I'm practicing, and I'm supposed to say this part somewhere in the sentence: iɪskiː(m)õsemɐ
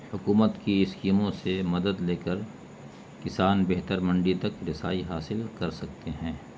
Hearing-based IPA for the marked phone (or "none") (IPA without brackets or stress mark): m